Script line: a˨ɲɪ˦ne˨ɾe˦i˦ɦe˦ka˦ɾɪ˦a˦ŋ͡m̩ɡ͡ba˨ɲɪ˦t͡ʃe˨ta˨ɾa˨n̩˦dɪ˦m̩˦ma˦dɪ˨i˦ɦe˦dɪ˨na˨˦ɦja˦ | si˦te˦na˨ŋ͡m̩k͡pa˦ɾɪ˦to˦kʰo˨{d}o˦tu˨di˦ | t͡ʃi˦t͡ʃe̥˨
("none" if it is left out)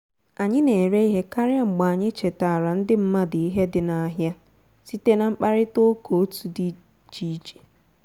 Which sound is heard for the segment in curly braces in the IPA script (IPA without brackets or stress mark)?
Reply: none